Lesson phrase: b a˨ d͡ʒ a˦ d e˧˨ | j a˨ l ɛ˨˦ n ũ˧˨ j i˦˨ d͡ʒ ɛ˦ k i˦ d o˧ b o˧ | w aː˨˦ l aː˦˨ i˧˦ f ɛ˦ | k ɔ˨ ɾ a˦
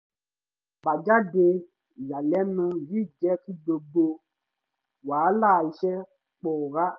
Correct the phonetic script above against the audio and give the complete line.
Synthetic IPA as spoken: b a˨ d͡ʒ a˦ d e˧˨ | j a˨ l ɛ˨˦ n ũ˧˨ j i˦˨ d͡ʒ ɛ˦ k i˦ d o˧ b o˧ | w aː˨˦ l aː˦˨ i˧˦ ʃ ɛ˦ | k͡p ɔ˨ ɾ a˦

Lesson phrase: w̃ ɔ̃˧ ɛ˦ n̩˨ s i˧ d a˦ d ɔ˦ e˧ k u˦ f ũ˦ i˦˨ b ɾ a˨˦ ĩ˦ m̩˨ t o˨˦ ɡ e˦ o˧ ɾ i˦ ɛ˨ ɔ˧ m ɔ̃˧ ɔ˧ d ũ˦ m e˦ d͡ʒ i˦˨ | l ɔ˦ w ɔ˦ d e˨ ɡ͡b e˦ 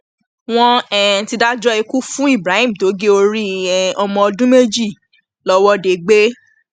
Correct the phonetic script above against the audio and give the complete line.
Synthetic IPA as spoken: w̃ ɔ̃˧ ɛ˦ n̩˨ t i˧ d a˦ d͡ʒ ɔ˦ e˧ k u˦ f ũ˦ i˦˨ b ɾ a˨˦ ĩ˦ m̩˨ t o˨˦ ɡ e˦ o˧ ɾ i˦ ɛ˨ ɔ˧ m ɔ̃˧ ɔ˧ d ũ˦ m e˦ d͡ʒ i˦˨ | l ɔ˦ w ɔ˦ d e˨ ɡ͡b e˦

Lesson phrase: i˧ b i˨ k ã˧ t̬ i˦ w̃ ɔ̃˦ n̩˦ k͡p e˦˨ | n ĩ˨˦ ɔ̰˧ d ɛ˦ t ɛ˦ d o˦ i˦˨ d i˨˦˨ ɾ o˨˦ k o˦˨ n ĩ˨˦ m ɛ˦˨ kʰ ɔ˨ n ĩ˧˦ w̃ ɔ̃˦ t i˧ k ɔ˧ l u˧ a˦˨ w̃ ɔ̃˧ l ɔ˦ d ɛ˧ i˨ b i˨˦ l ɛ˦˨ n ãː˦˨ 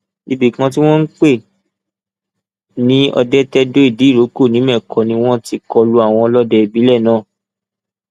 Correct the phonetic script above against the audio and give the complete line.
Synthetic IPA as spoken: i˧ b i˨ k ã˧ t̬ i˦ w̃ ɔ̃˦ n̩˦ k͡p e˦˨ | n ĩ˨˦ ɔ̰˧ d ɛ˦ t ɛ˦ d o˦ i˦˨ d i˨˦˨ ɾ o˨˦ k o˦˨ n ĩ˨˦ m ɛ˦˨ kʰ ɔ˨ n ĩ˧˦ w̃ ɔ̃˦ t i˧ k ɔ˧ l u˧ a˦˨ w̃ ɔ̃˧ l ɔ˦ d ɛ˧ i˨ b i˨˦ l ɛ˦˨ n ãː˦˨

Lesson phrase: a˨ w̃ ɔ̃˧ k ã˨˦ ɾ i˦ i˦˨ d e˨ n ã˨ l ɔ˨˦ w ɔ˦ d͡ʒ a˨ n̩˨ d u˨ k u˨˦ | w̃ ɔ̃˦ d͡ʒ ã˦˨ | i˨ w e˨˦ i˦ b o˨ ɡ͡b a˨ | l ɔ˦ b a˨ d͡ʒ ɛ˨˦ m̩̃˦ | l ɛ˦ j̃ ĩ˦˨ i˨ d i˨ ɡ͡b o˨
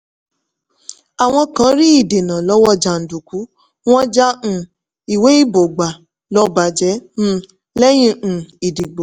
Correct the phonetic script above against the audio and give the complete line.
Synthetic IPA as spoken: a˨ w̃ ɔ̃˧ k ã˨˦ ɾ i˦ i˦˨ d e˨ n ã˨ l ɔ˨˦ w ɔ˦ d͡ʒ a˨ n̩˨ d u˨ k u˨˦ | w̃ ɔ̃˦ d͡ʒ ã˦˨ | i˨ w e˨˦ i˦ b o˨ ɡ͡b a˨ | l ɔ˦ b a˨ d͡ʒ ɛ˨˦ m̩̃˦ | l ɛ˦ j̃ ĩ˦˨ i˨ d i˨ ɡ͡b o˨

